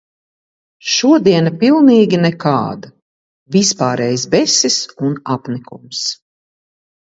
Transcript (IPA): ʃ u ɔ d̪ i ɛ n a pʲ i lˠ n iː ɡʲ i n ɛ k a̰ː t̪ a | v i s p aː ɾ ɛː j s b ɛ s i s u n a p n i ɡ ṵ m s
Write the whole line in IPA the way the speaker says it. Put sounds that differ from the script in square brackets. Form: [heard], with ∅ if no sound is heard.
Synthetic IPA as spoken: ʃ u ɔ d̪ i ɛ n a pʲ i lˠ n iː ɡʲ i n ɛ k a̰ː [d̪] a | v i s p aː ɾ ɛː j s b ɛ s i s u n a p n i [k] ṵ m s